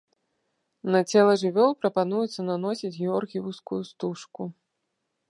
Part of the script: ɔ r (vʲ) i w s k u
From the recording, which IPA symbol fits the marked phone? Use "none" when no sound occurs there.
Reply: ɣʲ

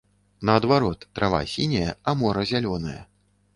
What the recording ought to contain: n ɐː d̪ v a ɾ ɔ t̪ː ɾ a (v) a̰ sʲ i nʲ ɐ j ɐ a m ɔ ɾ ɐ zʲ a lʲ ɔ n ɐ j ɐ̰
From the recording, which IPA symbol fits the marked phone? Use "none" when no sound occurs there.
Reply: v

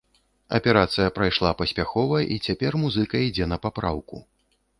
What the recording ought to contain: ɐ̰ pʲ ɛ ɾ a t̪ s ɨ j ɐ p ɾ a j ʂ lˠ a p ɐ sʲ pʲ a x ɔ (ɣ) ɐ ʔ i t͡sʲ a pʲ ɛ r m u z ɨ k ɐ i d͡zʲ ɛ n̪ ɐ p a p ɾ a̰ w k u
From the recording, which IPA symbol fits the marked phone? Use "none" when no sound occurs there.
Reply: v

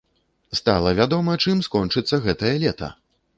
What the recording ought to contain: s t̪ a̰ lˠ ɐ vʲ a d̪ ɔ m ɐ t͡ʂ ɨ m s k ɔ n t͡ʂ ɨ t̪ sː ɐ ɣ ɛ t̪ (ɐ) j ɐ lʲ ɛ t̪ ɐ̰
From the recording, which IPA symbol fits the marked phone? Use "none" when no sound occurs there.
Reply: ɐ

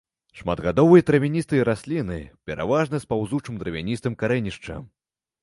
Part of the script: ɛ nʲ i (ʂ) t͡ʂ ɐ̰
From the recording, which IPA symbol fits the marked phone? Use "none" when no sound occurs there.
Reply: ʂ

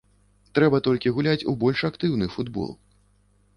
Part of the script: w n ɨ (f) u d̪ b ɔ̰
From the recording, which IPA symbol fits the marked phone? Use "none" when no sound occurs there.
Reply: f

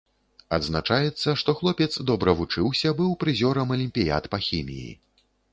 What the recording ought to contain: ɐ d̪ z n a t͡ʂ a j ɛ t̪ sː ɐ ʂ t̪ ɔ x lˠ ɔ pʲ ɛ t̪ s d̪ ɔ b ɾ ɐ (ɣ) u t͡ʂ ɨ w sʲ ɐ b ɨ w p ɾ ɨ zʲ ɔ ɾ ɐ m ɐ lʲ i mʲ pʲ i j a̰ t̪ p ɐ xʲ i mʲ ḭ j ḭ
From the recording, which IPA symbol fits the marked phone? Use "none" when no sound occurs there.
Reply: v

